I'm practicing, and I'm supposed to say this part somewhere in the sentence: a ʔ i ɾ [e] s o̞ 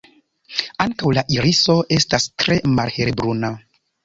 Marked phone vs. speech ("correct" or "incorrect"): incorrect